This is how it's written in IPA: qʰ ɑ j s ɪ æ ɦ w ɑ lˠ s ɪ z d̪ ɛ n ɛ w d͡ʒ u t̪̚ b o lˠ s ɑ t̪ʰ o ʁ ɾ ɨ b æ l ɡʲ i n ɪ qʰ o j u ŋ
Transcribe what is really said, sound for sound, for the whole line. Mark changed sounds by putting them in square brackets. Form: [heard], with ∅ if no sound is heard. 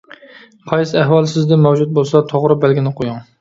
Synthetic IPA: qʰ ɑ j s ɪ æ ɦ w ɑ lˠ s ɪ z d̪ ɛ [m] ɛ w d͡ʒ u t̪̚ b o lˠ s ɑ t̪ʰ o ʁ ɾ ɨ b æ l ɡʲ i n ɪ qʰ o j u ŋ

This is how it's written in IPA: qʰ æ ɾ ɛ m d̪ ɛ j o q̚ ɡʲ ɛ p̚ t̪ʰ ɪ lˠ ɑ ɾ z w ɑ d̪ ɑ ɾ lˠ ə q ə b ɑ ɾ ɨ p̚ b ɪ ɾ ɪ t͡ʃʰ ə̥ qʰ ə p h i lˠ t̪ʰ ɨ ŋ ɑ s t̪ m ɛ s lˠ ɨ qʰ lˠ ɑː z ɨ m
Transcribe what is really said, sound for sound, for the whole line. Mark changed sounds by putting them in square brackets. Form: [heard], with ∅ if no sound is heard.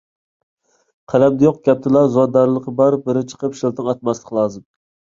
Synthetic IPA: qʰ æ [l] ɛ m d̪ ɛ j o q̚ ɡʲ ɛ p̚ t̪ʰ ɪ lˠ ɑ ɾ z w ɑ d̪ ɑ ɾ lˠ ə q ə b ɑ ɾ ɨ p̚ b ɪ ɾ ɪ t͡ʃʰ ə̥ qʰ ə p [ʃ] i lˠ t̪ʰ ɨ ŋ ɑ [∅] t̪ m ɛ s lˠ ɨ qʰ lˠ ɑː z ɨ m

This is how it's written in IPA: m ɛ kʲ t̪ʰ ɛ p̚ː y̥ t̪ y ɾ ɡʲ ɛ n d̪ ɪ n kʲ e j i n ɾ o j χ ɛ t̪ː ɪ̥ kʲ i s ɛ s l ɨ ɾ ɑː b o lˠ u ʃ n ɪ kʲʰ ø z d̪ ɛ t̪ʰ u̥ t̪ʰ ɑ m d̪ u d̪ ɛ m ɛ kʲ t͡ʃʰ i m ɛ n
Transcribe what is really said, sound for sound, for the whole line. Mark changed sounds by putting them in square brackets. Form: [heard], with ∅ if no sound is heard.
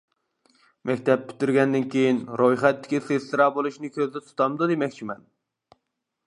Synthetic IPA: m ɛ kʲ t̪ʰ ɛ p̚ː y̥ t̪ y ɾ ɡʲ ɛ n d̪ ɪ n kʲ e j i n ɾ o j χ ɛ t̪ː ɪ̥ kʲ i s [e] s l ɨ ɾ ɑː b o lˠ u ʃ n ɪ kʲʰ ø z d̪ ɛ t̪ʰ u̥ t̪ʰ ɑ m d̪ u d̪ [e] m ɛ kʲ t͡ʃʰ i m ɛ n

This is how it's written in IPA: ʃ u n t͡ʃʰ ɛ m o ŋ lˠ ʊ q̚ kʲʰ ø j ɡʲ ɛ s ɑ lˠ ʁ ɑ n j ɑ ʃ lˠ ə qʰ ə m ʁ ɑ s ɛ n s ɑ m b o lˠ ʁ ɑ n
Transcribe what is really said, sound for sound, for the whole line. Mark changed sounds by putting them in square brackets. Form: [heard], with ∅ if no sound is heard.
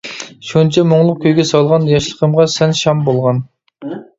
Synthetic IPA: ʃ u n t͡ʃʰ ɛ m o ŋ lˠ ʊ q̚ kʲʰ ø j ɡʲ ɛ s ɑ lˠ ʁ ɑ n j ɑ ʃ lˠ ə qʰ ə m ʁ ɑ s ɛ n [ʃ] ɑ m b o lˠ ʁ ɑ n

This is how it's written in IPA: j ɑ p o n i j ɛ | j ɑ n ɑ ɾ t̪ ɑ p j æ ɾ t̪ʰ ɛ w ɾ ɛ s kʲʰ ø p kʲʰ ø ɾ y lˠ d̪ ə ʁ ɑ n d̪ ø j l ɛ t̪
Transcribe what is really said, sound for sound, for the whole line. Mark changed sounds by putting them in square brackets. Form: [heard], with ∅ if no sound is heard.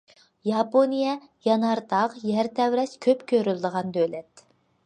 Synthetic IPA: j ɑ p o n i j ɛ | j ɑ n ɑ ɾ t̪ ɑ [q] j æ ɾ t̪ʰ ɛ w ɾ ɛ s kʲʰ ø p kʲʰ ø ɾ y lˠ d̪ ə ʁ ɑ n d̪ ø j l ɛ t̪

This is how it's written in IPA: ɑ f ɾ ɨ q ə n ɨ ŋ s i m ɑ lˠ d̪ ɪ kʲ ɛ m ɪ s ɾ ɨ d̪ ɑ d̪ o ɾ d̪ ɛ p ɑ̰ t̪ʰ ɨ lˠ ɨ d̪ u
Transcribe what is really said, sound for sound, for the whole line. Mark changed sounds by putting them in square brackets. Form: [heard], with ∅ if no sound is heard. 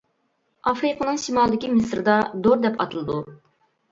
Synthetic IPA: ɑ f ɾ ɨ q ə n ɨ ŋ [ʃ] i m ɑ lˠ d̪ ɪ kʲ [i] m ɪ s ɾ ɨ d̪ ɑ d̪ o ɾ d̪ ɛ p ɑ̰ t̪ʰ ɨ lˠ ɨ d̪ u

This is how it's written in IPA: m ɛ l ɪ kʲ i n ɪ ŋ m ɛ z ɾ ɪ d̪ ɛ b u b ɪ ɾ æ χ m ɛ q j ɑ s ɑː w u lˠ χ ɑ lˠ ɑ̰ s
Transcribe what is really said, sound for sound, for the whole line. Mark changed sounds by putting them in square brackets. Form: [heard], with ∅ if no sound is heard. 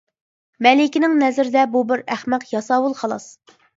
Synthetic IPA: m ɛ l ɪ kʲ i n ɪ ŋ [n] ɛ z ɾ ɪ d̪ ɛ b u b ɪ ɾ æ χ m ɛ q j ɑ s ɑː w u lˠ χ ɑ lˠ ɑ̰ s

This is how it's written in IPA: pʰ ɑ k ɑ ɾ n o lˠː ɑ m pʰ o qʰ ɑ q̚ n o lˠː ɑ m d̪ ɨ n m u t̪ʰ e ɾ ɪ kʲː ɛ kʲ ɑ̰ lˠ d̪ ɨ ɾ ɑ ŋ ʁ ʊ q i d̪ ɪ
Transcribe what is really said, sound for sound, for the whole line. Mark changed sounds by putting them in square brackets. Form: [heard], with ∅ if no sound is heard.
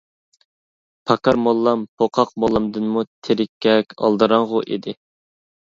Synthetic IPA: pʰ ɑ k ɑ ɾ [m] o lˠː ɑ m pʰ o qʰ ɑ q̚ [m] o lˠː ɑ m d̪ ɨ n m u t̪ʰ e ɾ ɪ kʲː ɛ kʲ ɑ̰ lˠ d̪ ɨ ɾ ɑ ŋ ʁ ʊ [ʔ] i d̪ ɪ

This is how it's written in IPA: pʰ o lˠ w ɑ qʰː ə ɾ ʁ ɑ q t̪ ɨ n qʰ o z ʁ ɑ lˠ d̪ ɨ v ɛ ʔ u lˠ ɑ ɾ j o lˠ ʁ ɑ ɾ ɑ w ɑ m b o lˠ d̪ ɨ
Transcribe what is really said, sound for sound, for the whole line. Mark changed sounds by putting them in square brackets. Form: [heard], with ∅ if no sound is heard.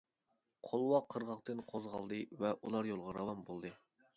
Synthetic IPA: [qʰ] o lˠ w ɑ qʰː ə ɾ ʁ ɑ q t̪ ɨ n qʰ o z ʁ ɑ lˠ d̪ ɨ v ɛ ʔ u lˠ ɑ ɾ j o lˠ ʁ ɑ ɾ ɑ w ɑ m b o lˠ d̪ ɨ

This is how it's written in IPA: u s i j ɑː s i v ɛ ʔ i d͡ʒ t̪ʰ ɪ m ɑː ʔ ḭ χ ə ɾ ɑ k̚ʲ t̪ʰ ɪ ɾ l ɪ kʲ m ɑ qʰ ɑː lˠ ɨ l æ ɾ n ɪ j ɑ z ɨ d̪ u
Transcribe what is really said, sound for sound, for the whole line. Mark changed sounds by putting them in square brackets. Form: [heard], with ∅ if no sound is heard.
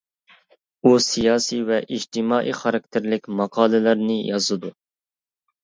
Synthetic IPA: u s i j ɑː s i v ɛ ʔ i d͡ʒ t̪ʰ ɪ m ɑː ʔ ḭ χ [ɑ] ɾ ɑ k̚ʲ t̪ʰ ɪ ɾ l ɪ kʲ m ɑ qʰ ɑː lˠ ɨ l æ ɾ n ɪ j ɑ z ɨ d̪ u

